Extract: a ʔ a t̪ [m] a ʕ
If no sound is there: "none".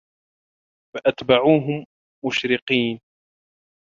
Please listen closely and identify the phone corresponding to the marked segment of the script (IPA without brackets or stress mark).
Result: b